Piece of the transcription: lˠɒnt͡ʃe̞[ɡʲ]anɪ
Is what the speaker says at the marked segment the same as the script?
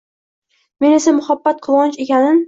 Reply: no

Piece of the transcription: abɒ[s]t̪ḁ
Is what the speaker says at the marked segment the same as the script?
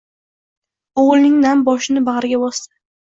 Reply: yes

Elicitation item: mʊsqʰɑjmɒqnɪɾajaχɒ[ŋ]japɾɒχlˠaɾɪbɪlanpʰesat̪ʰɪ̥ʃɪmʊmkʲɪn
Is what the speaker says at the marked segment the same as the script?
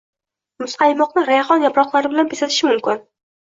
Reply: no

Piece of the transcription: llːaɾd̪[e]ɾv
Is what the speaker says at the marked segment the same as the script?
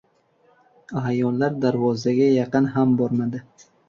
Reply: no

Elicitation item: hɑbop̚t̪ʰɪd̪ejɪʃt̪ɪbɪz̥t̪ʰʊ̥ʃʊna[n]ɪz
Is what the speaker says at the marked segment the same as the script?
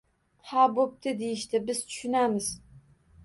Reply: no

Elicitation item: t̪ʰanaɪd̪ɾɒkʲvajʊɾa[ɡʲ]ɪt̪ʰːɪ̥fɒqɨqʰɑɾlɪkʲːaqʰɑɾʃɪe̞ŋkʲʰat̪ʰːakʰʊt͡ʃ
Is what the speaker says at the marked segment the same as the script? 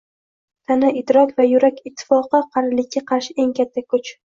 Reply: no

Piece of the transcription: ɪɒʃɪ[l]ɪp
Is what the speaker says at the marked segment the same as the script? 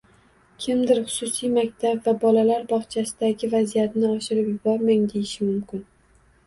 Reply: no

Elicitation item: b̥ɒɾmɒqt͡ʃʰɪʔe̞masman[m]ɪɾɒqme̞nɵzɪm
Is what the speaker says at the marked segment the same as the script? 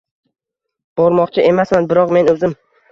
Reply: no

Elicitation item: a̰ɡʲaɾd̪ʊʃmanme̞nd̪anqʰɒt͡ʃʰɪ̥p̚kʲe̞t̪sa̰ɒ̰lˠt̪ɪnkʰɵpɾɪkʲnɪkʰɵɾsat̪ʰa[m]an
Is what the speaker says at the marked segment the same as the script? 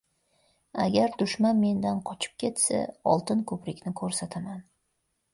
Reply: yes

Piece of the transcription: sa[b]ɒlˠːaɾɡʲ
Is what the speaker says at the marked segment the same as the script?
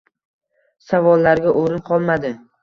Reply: no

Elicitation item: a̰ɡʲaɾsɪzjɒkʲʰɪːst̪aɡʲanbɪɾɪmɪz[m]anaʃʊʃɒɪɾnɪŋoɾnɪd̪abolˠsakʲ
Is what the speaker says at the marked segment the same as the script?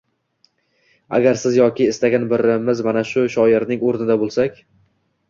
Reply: yes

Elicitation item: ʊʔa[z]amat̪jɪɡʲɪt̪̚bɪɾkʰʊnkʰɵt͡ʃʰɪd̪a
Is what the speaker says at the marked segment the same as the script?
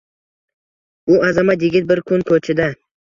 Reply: yes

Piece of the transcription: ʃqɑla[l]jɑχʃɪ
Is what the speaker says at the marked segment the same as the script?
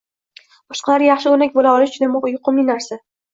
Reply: no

